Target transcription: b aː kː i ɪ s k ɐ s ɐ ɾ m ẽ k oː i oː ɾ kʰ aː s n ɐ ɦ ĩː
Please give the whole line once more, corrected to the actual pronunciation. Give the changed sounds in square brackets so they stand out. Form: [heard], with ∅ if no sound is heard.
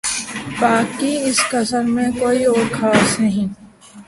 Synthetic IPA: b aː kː i ɪ s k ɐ s [ə] ɾ m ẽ k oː i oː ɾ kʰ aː s n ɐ ɦ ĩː